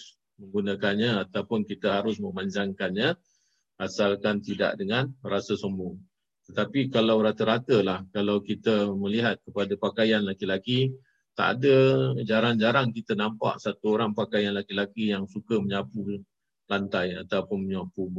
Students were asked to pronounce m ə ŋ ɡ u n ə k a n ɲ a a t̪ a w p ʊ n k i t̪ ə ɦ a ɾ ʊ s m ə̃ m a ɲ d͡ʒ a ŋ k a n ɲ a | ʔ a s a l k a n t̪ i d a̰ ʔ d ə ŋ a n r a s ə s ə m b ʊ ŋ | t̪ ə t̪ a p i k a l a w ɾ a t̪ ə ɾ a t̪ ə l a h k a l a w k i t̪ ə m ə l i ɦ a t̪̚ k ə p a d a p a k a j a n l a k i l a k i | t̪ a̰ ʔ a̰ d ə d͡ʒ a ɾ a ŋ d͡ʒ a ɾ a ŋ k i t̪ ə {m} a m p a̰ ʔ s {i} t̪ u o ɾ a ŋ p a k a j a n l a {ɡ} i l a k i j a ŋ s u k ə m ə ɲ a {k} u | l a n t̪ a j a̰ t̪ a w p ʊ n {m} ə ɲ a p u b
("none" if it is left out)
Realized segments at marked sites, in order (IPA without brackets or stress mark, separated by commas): n, a, k, p, m